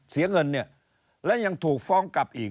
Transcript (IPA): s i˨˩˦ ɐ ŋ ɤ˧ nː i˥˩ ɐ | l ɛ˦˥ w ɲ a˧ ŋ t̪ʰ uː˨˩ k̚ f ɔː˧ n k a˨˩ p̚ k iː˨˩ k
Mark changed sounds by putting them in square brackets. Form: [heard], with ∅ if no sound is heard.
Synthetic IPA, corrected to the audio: s i˨˩˦ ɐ ŋ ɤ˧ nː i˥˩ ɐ | l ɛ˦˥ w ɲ a˧ ŋ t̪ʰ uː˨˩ k̚ f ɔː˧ [ŋ] k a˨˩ p̚ [ʔ] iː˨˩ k